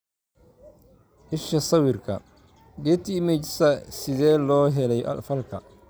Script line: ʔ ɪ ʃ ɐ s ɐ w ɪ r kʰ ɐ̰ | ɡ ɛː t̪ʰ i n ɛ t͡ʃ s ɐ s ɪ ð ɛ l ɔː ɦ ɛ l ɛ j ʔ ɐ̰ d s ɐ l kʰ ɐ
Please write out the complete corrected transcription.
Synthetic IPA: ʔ ɪ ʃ ɐ s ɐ w ɪ r kʰ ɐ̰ | ɡ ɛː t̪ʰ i m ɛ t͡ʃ s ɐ s ɪ ð ɛː l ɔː ɦ ɛ l ɛ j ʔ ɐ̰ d f ɐ l kʰ ɐ